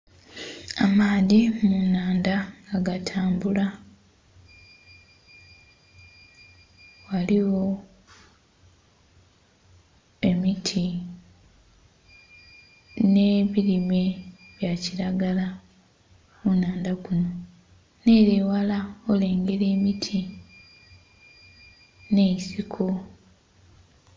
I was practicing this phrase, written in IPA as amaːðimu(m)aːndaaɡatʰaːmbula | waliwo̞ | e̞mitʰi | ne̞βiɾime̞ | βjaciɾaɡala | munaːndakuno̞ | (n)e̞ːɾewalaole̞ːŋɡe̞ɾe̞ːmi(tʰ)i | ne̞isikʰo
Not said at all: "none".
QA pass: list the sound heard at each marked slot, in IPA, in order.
n, n, tʰ

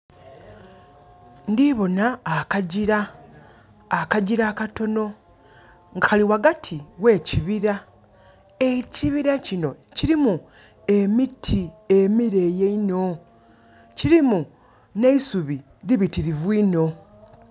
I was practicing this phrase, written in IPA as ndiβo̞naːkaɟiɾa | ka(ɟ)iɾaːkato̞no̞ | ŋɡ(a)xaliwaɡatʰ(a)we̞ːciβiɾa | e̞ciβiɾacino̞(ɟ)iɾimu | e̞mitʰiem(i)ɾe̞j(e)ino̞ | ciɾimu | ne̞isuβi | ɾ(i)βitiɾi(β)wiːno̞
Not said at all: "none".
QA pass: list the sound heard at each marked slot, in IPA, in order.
ɟ, a, i, c, i, e, i, v

